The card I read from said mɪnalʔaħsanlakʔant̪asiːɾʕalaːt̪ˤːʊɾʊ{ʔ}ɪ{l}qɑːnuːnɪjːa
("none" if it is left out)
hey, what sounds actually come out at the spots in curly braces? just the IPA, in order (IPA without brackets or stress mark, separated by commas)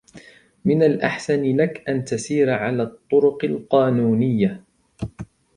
q, l